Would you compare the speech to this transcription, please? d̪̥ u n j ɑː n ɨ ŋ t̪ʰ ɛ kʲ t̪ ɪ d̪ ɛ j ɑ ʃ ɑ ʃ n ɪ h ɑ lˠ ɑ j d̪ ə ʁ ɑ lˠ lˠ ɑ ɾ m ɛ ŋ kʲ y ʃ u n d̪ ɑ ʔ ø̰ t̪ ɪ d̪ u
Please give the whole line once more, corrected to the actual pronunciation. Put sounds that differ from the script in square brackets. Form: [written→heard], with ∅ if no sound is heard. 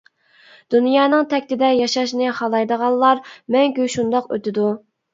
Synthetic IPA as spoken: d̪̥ u n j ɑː n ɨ ŋ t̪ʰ ɛ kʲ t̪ ɪ d̪ ɛ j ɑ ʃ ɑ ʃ n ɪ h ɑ lˠ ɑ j d̪ ə ʁ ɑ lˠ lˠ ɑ ɾ m ɛ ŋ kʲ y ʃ u n d̪ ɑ [ʔ→q] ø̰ t̪ ɪ d̪ u